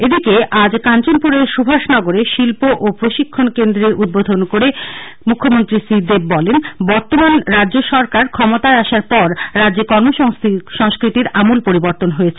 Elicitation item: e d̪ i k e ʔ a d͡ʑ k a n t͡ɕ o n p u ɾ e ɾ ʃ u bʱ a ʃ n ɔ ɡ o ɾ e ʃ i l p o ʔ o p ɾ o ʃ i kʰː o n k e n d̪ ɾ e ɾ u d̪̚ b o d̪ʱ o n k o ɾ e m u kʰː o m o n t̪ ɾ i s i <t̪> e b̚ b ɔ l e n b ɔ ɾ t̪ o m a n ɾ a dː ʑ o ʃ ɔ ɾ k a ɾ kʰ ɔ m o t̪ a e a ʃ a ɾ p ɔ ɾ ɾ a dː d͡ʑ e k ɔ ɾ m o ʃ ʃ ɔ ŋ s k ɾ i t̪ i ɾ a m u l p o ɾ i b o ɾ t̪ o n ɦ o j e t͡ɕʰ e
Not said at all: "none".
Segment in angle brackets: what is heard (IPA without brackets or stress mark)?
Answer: d̪